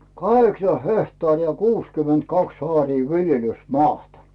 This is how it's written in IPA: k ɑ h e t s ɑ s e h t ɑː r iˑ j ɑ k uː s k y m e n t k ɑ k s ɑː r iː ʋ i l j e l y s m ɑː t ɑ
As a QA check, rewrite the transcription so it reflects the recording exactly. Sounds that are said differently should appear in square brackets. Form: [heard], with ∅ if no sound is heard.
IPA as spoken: k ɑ h e [k] s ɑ [h] e h t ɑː r iˑ j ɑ k uː s k y m e n t k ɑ k s ɑː r iː ʋ i l j e l y s m ɑː t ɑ

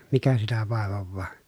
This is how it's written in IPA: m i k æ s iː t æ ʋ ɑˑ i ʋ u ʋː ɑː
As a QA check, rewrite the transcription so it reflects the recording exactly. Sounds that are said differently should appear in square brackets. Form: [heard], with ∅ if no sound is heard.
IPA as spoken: m i k æ s [i] t æ ʋ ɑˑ [e] ʋ [o] ʋː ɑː

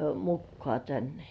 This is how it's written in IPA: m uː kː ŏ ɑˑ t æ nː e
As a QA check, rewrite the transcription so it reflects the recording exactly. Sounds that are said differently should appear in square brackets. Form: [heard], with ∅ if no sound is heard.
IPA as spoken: m [u] kː ŏ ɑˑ t æ nː e

